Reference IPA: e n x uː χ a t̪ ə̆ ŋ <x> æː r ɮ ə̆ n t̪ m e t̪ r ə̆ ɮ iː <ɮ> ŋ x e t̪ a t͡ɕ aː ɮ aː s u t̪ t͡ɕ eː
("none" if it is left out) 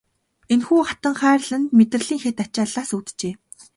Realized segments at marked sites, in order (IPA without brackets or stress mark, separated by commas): χ, none